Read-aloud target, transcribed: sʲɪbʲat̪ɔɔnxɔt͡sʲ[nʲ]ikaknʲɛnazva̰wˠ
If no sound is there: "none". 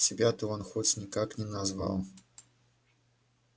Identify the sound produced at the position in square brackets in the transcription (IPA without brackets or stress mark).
nʲ